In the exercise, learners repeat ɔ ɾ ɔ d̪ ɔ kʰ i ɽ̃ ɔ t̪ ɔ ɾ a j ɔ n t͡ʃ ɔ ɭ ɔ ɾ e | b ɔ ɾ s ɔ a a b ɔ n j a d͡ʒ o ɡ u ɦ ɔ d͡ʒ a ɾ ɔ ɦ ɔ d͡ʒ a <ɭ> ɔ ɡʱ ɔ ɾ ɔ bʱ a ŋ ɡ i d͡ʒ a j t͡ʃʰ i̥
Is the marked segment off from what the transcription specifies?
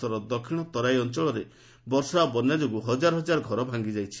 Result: yes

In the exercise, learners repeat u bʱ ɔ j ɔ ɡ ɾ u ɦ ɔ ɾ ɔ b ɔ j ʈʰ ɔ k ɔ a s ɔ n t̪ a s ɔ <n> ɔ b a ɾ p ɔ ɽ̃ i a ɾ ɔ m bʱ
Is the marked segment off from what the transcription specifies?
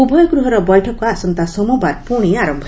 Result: yes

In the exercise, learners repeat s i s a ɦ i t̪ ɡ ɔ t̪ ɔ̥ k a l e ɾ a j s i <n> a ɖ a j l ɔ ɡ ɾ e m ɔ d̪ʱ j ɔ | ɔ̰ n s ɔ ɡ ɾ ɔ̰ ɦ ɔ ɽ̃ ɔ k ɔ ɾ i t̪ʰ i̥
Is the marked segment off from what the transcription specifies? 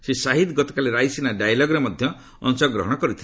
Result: no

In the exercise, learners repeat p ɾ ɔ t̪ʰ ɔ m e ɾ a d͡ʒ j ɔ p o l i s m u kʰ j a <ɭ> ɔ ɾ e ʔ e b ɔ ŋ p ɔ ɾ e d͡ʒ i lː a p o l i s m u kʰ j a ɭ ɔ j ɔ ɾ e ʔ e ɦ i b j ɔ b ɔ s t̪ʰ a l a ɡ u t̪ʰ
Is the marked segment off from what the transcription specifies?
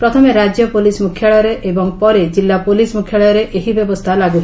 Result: no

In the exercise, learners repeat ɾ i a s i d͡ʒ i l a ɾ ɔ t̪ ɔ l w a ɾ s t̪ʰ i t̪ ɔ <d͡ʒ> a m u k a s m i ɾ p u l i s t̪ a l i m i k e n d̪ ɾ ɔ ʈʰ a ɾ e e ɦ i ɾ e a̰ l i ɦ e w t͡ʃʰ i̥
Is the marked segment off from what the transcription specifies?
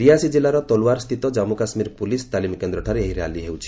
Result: no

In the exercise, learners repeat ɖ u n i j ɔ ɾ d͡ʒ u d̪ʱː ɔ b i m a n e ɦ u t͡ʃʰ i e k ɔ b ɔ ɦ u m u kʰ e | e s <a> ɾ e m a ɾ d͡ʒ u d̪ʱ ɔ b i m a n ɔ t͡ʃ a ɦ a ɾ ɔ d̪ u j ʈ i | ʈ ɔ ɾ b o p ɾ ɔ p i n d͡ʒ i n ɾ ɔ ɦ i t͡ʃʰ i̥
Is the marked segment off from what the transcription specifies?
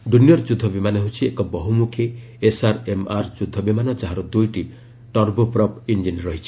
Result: no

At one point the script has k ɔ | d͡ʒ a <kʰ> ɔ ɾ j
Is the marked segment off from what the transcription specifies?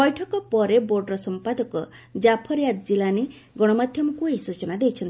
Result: yes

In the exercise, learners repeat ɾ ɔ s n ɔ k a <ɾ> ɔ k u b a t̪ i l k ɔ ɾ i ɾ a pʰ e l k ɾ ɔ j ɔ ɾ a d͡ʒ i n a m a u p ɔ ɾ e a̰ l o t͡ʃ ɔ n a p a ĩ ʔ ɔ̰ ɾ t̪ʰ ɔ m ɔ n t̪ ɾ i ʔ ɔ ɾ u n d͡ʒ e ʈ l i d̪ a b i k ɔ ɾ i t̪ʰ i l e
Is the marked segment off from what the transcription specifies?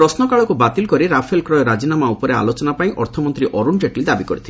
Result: yes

